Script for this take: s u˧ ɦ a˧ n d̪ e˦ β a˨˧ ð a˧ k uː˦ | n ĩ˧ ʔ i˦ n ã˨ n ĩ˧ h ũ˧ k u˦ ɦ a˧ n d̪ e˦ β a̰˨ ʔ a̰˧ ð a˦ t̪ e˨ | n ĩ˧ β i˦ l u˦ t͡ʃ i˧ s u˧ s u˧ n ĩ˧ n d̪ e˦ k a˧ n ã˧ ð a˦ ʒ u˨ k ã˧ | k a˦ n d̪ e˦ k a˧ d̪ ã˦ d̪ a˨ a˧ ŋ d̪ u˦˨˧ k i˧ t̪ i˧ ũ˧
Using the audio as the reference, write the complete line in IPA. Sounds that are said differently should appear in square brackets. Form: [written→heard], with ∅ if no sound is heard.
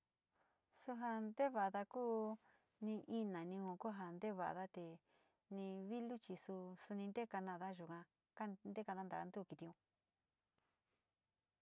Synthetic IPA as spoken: s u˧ ɦ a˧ n d̪ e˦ β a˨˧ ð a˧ k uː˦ | n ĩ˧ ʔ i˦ n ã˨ n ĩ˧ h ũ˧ k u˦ ɦ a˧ n d̪ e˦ β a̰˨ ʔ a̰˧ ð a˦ t̪ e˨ | n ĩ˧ β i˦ l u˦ t͡ʃ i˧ s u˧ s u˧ n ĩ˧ n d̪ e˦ k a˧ n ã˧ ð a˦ ʒ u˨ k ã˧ | k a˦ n d̪ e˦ k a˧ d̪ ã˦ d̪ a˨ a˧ [ŋ→n] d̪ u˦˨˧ k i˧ t̪ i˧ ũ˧